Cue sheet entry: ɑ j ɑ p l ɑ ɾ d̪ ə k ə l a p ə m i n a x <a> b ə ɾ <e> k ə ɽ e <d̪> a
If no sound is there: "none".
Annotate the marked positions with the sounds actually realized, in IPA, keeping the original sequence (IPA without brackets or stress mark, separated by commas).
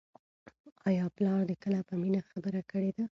a, a, d̪